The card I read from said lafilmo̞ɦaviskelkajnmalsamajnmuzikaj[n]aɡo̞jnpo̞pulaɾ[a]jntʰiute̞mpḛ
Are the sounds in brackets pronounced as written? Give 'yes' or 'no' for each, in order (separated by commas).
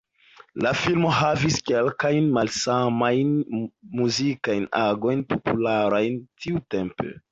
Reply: yes, yes